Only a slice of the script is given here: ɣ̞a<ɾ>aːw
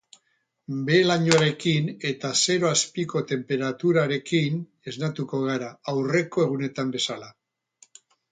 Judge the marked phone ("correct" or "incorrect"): correct